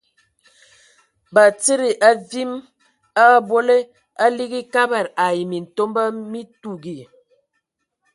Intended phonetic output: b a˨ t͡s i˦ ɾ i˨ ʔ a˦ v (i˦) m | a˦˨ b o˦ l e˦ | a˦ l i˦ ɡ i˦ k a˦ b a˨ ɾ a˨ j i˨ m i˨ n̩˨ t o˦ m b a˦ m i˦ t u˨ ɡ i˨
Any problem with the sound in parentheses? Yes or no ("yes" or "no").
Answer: no